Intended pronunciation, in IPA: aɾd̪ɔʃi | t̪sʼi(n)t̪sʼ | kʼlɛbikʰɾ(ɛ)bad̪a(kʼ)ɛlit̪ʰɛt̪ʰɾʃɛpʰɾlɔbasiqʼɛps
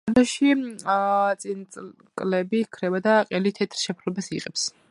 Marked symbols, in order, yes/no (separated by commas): yes, yes, no